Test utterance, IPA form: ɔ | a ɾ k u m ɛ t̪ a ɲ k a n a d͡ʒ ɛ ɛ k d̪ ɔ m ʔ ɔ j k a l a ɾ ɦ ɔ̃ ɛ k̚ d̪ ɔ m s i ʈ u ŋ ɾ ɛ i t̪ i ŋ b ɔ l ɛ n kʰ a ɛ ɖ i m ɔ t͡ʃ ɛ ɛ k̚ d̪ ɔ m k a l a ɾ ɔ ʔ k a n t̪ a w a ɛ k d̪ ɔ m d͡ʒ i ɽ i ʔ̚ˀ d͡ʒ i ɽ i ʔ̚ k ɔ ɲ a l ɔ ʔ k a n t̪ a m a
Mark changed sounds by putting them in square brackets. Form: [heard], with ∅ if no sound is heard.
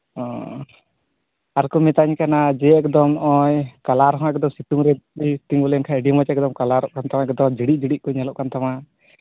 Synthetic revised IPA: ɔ | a ɾ k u m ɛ t̪ a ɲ k a n a d͡ʒ ɛ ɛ k d̪ ɔ m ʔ ɔ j k a l a ɾ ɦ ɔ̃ ɛ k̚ d̪ ɔ m s i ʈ u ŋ ɾ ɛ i t̪ i ŋ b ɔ l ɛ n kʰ a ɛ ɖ i m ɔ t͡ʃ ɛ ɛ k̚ d̪ ɔ m k a l a ɾ ɔ ʔ k a n t̪ a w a ɛ k d̪ ɔ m d͡ʒ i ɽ i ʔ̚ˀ d͡ʒ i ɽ i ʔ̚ k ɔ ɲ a l ɔ ʔ k a n t̪ a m a